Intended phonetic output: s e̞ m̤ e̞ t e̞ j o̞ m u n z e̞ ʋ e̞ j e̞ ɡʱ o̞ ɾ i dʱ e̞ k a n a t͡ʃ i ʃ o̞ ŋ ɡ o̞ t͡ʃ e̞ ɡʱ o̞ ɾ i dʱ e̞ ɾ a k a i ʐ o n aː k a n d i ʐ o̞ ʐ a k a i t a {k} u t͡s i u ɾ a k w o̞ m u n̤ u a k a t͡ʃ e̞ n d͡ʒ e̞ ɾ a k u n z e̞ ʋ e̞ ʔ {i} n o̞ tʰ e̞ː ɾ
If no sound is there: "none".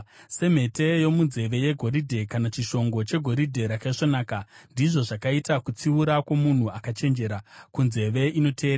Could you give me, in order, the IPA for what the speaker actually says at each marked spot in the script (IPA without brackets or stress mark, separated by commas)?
k, i